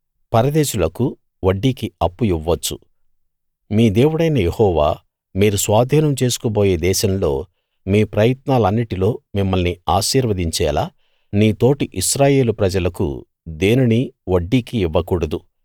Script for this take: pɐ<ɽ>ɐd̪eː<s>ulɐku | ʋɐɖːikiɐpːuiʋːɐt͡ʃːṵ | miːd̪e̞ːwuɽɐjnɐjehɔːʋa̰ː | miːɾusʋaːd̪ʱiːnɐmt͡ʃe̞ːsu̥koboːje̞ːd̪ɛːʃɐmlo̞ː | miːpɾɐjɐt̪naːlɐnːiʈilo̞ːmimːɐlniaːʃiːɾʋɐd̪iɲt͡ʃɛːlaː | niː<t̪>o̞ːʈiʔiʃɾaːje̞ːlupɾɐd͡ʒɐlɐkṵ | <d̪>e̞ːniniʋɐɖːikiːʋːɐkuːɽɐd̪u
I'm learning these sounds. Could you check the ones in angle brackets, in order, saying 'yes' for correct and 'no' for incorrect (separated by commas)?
no, no, yes, yes